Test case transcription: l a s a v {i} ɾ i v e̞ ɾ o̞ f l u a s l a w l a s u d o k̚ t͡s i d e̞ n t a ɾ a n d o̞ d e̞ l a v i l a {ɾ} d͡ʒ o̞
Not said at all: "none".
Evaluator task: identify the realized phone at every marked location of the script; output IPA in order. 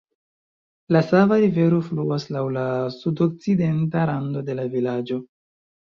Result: a, none

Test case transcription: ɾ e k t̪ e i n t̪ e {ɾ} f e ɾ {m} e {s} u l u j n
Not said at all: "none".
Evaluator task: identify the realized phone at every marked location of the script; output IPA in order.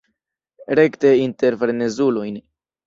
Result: ɾ, n, z

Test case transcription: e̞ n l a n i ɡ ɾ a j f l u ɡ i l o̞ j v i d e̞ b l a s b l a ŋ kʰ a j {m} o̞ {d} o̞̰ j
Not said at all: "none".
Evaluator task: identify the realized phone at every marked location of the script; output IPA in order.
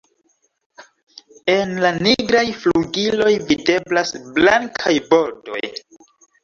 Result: b, d

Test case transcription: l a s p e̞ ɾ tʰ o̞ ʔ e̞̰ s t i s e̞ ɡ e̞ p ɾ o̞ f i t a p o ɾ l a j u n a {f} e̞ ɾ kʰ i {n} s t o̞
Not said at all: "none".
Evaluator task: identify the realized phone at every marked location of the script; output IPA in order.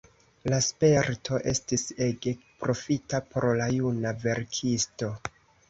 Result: v, none

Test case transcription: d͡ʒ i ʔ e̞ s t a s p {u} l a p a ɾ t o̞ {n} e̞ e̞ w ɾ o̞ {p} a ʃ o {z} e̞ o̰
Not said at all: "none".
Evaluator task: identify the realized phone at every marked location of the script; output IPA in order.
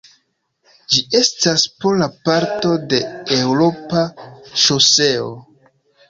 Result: o, d, p, s

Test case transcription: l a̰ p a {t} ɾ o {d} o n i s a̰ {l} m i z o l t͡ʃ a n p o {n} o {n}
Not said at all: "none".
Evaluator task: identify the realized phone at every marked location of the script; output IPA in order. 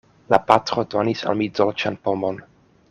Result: t, d, l, m, n

